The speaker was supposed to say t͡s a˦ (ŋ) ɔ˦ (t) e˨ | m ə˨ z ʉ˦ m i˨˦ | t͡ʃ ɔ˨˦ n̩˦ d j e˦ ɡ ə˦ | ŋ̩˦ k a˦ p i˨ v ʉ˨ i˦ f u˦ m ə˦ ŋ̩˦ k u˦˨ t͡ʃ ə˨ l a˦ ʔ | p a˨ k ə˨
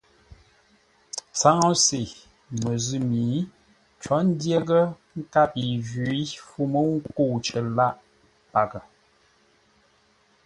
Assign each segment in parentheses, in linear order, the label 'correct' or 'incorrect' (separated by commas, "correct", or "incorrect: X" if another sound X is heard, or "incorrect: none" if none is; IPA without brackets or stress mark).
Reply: correct, incorrect: s